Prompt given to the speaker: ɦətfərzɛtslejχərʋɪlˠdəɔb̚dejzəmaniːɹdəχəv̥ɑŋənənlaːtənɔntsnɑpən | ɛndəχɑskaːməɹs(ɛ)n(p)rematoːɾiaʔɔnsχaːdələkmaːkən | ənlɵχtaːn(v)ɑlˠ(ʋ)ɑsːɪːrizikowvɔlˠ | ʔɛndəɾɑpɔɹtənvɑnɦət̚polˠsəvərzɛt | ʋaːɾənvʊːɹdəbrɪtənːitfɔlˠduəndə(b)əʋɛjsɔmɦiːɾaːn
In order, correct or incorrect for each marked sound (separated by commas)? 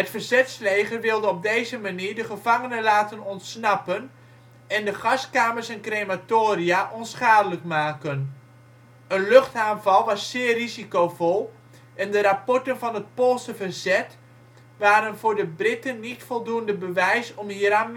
correct, incorrect, correct, correct, correct